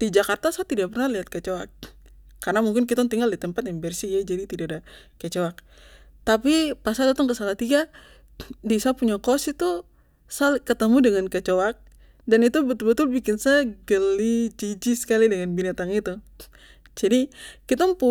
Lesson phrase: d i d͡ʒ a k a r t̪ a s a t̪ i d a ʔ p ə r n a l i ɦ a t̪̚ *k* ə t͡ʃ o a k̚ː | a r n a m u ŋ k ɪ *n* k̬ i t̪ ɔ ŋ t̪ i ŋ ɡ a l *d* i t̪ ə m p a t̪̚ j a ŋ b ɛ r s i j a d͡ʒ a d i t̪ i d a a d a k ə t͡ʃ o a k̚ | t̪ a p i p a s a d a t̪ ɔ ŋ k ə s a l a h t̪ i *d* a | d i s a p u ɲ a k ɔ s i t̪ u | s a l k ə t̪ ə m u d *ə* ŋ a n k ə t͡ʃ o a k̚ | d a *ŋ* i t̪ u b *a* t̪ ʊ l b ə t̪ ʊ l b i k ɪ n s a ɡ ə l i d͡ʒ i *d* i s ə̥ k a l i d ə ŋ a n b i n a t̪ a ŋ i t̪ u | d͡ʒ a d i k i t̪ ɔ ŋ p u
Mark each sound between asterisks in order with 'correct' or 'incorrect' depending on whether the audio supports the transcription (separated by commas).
correct, correct, correct, incorrect, correct, incorrect, incorrect, incorrect